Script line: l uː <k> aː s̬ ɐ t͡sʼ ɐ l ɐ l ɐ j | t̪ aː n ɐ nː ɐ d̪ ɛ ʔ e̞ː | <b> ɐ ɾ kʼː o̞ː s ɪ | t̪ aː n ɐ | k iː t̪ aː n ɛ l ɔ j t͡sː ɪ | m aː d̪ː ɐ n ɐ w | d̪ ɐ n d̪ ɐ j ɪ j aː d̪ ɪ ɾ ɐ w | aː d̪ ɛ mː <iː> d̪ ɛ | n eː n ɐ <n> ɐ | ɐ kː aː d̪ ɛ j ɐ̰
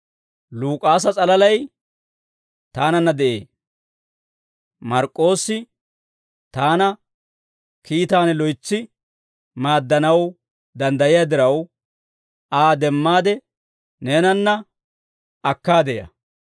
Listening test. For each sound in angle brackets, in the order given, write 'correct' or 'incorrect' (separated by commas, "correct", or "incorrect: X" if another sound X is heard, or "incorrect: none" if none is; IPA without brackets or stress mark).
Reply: incorrect: kʼ, incorrect: m, incorrect: aː, incorrect: nː